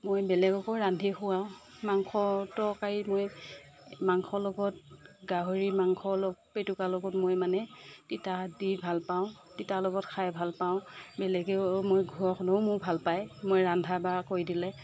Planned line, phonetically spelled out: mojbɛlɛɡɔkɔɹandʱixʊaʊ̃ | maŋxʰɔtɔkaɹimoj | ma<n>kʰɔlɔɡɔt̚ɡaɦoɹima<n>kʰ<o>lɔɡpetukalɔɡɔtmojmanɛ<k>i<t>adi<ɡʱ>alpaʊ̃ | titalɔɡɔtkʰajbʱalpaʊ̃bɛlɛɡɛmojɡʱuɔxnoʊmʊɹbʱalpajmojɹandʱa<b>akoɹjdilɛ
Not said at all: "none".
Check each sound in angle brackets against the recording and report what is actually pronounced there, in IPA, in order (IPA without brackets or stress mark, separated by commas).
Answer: ŋ, ŋ, ɔ, t, t, bʱ, b